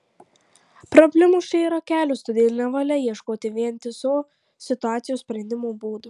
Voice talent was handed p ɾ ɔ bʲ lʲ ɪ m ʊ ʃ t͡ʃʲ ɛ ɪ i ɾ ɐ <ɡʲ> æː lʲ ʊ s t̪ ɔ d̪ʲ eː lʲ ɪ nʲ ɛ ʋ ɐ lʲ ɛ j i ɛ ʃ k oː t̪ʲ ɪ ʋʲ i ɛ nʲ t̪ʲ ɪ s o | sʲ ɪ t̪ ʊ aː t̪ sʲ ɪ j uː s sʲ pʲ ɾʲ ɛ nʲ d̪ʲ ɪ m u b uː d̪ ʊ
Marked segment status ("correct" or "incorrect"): incorrect